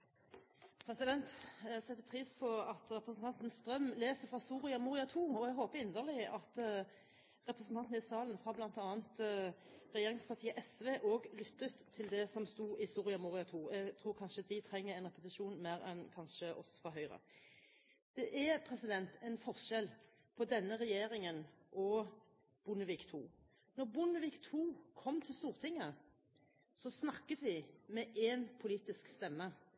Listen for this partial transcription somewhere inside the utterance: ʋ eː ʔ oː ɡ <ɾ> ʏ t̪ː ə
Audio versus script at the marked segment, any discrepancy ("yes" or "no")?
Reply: yes